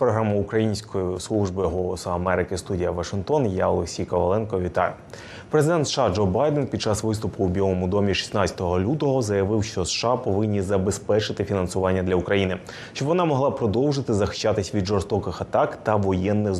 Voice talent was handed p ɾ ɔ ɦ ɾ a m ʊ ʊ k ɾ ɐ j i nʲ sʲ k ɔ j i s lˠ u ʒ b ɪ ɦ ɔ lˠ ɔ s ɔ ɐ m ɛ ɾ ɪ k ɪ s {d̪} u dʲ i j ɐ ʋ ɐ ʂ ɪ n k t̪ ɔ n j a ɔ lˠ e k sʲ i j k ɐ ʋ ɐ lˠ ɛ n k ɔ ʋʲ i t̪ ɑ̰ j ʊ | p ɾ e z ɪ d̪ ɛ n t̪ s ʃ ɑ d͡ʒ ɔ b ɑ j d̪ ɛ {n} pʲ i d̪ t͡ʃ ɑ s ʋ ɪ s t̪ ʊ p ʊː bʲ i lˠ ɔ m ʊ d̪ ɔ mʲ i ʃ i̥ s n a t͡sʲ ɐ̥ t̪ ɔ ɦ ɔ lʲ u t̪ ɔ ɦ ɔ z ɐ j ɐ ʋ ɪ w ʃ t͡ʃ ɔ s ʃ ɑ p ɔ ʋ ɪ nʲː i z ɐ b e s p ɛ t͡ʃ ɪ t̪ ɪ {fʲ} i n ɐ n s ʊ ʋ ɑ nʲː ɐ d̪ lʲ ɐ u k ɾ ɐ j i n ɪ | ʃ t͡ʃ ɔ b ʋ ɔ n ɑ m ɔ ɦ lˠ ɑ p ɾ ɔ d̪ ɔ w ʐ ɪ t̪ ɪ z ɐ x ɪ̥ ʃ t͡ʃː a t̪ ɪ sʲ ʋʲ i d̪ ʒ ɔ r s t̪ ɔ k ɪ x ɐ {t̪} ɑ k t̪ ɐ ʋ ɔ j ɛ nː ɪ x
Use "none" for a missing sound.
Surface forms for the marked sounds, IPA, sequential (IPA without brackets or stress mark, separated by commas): t̪, n, fʲ, t̪